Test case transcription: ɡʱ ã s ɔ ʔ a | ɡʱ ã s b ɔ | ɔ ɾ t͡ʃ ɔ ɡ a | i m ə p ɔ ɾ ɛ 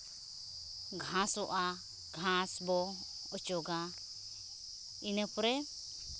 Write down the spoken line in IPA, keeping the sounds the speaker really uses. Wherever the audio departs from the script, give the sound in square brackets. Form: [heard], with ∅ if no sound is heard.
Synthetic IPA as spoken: ɡʱ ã s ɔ ʔ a | ɡʱ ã s b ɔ | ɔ [∅] t͡ʃ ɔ ɡ a | i [n] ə p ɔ ɾ ɛ